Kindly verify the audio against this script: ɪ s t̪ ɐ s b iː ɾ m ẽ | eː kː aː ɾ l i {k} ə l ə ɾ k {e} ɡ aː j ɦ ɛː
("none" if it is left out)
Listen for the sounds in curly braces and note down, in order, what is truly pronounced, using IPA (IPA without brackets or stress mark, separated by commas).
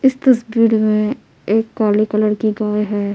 k, i